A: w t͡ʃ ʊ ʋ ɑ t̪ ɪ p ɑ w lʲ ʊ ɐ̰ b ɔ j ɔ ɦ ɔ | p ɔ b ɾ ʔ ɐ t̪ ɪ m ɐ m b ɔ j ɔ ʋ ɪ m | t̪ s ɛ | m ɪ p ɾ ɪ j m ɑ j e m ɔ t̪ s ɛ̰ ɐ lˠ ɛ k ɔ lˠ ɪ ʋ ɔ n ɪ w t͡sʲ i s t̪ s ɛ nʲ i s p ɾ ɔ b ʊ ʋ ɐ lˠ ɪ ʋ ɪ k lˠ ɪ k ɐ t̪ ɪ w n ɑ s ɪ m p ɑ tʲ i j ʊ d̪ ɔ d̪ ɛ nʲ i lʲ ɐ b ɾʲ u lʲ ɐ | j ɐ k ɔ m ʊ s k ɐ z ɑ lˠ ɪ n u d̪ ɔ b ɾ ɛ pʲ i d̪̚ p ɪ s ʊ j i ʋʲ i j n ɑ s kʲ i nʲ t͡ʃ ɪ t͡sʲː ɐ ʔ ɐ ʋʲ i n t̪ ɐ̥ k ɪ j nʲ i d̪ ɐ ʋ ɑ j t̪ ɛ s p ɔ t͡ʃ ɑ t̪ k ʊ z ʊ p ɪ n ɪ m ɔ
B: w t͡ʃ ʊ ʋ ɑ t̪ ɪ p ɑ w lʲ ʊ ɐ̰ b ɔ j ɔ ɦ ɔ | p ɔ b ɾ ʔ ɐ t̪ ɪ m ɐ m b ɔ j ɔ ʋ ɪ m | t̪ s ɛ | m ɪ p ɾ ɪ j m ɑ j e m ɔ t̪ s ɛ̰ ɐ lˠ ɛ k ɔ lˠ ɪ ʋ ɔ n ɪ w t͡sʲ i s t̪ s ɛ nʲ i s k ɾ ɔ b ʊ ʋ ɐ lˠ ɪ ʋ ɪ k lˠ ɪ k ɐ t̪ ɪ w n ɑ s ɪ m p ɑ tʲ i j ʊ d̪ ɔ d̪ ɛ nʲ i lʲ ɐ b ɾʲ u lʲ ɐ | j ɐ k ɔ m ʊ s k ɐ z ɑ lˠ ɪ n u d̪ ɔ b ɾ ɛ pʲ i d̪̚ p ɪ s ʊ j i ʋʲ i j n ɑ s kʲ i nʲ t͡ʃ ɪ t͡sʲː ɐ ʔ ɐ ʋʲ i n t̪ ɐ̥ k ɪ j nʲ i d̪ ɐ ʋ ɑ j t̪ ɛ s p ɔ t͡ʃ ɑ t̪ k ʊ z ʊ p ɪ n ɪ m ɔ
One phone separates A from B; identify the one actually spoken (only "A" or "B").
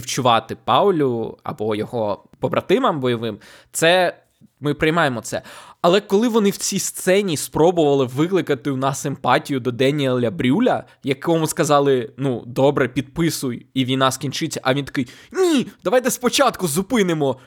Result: A